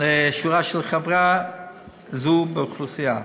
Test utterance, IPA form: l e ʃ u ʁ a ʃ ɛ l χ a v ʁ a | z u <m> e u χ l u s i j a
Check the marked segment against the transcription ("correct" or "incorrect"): incorrect